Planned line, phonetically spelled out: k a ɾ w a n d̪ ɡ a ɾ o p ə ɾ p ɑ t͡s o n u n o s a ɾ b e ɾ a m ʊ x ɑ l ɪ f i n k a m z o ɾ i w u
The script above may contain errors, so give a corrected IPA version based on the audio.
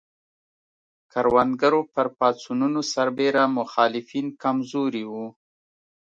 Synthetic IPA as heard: k a ɾ w a n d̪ ɡ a ɾ o p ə ɾ p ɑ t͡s u n u n o s a ɾ b e ɾ a m ʊ x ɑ l ɪ f i n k a m z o ɾ i w u